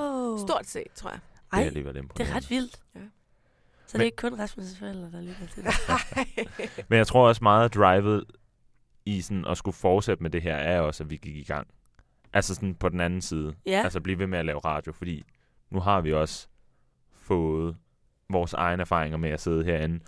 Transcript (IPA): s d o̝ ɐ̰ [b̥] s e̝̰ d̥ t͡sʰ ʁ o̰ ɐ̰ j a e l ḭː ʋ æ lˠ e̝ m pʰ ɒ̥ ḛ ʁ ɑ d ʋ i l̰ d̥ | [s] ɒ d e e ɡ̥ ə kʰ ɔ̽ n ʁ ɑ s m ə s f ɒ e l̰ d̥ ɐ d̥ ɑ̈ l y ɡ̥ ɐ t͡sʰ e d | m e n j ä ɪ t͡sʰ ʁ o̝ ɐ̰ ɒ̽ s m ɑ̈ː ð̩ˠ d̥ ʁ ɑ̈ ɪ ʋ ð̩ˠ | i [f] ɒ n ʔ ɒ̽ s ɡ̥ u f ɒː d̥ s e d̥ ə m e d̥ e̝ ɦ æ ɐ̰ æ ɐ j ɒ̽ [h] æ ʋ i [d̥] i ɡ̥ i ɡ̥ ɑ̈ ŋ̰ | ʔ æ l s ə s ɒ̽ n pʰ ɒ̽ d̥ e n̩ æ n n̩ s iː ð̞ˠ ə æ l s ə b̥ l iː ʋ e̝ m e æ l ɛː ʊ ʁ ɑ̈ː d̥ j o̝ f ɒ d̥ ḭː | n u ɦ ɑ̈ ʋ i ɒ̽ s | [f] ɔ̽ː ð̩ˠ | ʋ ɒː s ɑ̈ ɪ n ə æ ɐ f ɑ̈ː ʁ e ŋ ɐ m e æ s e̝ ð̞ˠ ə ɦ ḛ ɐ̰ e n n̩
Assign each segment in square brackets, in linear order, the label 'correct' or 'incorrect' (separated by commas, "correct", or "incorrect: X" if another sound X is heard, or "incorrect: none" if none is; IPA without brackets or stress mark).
incorrect: d̥, correct, incorrect: s, incorrect: s, incorrect: ɡ̥, correct